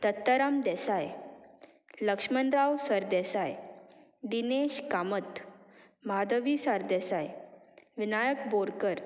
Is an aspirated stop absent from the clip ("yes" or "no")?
yes